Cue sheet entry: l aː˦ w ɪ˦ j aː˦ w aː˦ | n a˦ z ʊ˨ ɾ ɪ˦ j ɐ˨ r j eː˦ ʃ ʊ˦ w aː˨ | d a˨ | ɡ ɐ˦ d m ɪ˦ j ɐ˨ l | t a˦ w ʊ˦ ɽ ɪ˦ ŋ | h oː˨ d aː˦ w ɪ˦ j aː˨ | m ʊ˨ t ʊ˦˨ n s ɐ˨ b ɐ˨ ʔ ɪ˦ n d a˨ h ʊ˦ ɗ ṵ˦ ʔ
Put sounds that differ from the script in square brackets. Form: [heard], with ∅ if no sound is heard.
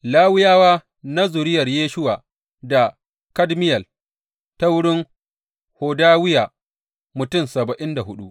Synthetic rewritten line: l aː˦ w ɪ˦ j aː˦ w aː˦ | n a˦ z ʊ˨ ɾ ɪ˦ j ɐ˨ r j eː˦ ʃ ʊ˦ w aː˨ | d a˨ | [k] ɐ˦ d m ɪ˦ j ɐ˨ l | t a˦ w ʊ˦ ɽ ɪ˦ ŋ | h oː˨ d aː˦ w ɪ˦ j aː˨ | m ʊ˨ t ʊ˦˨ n s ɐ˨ b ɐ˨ ʔ ɪ˦ n d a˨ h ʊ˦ ɗ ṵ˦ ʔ